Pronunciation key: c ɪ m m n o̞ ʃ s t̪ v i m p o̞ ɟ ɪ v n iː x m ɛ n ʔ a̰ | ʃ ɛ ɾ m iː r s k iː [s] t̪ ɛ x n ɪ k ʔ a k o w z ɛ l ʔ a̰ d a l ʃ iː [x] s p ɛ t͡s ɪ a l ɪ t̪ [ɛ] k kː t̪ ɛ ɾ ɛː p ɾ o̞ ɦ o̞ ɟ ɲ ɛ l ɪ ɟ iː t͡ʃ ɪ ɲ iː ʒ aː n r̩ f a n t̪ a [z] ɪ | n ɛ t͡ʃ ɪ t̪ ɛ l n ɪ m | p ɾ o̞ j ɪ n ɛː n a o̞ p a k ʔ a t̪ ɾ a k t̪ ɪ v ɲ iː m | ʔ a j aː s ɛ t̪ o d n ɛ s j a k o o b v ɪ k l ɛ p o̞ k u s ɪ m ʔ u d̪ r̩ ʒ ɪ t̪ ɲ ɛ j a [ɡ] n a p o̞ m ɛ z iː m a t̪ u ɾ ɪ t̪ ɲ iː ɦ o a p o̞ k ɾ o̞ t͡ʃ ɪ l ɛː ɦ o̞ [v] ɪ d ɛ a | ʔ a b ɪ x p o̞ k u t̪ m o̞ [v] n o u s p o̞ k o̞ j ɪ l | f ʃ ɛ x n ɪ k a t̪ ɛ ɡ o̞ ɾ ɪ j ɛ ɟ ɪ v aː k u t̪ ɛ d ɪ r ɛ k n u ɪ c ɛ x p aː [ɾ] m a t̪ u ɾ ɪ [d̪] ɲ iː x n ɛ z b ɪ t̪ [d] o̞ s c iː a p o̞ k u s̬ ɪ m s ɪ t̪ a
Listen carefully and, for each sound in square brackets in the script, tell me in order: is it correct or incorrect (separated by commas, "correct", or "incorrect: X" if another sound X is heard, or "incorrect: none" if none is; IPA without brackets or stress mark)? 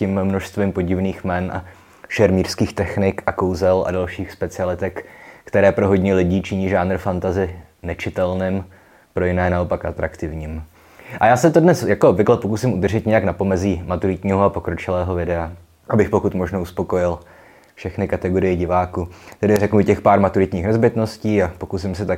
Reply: incorrect: x, correct, correct, correct, incorrect: k, correct, incorrect: ʒ, correct, incorrect: t̪, incorrect: n